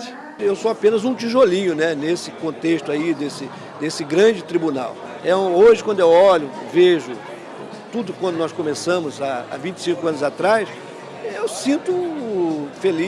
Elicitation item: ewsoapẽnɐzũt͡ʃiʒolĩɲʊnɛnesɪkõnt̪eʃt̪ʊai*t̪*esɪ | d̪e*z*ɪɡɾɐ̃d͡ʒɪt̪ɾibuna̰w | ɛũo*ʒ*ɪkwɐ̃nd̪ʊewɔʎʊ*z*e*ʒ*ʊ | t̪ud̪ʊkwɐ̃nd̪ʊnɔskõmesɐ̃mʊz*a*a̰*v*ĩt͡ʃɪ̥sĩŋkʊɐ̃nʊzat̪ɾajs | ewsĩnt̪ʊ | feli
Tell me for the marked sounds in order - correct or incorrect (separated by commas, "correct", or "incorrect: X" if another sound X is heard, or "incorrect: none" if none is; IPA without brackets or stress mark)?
incorrect: d̪, incorrect: s, correct, incorrect: v, correct, correct, correct